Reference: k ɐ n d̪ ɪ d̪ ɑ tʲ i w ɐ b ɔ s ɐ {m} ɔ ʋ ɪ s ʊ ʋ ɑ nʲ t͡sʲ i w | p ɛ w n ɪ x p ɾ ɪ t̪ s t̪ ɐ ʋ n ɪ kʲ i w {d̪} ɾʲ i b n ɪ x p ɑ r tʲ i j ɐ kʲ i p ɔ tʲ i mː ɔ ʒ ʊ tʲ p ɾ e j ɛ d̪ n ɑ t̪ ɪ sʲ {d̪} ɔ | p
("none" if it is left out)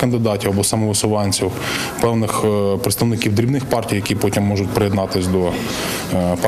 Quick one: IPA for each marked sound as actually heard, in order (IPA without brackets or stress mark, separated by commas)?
m, d̪, d̪